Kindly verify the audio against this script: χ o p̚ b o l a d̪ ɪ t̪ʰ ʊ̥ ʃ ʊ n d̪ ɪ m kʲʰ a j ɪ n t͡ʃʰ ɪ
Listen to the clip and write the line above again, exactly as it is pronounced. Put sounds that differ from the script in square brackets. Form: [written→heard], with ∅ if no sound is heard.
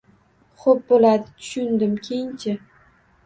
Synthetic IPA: χ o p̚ b o l a d̪ ɪ t̪ʰ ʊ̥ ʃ ʊ n d̪ ɪ m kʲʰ [a→e] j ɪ n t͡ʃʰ ɪ